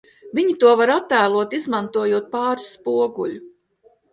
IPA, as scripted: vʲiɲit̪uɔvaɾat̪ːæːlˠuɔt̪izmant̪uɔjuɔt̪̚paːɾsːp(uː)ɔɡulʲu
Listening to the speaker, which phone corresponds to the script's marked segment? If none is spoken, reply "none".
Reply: u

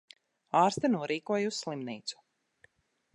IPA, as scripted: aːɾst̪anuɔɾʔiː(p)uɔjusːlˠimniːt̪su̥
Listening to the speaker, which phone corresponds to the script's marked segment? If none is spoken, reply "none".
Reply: k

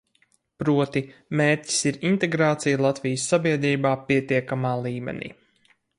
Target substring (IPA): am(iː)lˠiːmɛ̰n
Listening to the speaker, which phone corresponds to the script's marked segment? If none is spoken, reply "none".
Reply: aː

